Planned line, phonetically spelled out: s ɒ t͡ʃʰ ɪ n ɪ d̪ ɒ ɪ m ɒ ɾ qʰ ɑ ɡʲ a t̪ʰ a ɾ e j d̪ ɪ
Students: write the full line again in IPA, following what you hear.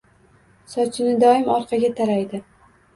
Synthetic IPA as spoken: s ɒ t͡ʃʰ ɪ n ɪ d̪ ɒ ɪ m ɒ ɾ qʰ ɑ ɡʲ a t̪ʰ a ɾ a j d̪ ɪ